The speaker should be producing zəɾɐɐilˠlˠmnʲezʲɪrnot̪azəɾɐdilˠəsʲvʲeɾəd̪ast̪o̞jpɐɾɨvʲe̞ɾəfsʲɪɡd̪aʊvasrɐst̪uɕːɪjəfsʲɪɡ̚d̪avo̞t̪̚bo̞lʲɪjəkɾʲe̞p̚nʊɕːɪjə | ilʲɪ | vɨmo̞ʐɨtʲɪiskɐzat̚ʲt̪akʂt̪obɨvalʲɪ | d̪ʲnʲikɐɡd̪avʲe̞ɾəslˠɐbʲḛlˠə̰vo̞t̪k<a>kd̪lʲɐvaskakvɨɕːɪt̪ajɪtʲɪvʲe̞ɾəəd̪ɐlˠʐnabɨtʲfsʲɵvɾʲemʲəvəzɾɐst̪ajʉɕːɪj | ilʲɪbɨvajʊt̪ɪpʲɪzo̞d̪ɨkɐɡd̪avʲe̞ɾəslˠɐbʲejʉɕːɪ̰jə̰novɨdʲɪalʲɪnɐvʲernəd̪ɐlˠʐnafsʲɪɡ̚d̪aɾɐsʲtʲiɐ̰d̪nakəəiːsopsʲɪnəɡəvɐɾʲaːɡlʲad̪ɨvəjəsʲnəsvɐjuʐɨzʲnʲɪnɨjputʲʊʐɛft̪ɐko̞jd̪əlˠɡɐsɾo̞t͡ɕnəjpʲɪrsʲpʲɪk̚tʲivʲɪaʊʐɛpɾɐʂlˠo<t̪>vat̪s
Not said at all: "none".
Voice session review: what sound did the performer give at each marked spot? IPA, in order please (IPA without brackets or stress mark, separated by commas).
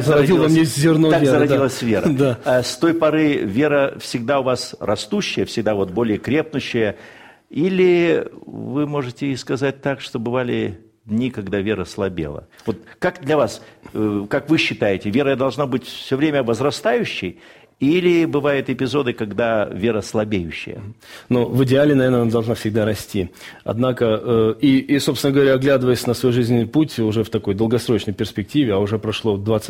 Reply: a, d̪